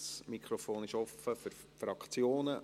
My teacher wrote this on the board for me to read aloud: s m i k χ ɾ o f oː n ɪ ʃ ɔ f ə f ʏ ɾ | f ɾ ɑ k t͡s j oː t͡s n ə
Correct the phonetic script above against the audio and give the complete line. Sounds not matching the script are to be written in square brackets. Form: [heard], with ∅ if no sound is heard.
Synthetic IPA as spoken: s m i k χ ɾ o f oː n ɪ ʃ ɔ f ə f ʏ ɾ | f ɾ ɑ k t͡s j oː [∅] n ə